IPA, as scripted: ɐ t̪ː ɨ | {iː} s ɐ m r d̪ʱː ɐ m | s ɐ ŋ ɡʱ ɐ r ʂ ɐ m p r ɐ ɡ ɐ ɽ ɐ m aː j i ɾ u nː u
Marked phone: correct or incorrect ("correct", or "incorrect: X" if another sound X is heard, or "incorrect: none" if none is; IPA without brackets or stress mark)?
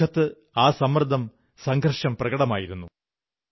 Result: incorrect: aː